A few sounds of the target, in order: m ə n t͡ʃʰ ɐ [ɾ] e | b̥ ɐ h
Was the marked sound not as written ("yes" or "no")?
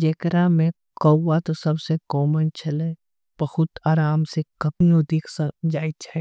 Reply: yes